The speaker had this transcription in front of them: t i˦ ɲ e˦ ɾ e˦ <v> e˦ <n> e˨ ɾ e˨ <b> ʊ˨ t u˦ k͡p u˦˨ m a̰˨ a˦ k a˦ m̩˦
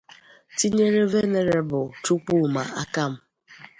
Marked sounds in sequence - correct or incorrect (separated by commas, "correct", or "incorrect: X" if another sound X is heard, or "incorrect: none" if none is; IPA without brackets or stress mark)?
correct, correct, correct